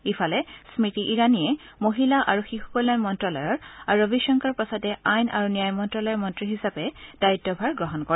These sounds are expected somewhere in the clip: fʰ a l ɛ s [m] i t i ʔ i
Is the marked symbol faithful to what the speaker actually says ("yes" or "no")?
yes